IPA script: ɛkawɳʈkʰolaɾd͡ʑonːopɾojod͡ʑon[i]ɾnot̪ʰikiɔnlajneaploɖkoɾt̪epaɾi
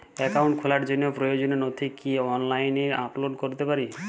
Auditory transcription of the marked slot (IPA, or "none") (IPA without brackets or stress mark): e